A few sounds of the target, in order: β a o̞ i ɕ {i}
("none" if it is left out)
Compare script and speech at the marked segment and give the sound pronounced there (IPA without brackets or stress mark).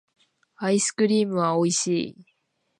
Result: iː